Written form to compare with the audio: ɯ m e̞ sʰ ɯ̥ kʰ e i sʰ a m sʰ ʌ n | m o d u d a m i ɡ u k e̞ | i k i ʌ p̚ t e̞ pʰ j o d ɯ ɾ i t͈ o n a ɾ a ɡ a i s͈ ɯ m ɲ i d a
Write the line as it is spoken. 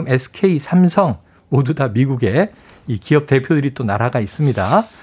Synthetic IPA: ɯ m e̞ sʰ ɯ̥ kʰ e i sʰ a m sʰ ʌ ŋ | m o d u d a m i ɡ u ɡ e̞ | i k i ʌ p̚ t e̞ pʰ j o d ɯ ɾ i t͈ o n a ɾ a ɡ a i s͈ ɯ m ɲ i d a